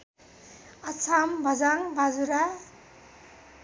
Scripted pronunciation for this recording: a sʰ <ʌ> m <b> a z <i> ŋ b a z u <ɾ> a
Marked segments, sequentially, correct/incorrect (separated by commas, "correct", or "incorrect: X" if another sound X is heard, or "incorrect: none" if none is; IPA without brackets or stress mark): incorrect: a, correct, incorrect: a, correct